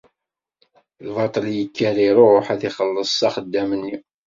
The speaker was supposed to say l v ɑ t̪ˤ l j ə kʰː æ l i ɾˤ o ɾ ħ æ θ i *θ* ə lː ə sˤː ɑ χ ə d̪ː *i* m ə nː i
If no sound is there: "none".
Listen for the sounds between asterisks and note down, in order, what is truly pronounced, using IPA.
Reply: χ, æ

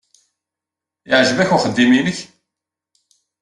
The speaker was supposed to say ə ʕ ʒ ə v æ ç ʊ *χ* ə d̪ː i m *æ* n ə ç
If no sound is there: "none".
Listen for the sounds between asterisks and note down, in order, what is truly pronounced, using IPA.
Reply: χ, i

